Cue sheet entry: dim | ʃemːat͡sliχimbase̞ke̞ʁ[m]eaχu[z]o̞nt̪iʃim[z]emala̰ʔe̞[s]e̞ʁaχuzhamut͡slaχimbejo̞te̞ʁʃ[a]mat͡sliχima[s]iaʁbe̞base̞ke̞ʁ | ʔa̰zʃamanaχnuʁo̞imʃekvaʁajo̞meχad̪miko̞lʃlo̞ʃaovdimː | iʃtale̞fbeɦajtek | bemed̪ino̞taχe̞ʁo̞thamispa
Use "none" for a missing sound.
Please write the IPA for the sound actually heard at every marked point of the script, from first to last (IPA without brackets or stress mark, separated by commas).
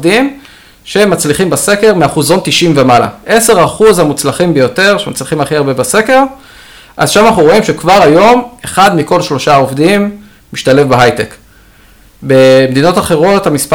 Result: m, z, v, s, e, χ